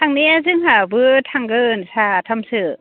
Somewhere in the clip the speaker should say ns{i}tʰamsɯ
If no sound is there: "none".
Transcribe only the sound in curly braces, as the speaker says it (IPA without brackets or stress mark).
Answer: a